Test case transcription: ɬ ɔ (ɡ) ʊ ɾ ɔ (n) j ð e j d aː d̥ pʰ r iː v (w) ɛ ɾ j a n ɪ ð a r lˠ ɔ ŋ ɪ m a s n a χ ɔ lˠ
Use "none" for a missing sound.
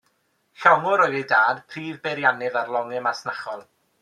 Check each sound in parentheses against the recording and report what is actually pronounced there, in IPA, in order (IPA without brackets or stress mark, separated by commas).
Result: ŋ, none, b